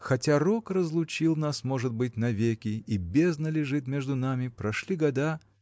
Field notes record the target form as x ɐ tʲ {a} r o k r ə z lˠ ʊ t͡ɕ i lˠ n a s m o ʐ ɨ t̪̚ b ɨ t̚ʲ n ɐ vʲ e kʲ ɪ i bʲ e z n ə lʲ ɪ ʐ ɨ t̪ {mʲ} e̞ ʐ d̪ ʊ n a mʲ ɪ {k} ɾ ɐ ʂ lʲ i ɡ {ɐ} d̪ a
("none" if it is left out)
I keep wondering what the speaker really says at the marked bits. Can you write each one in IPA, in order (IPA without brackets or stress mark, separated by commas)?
a, mʲ, p, ɐ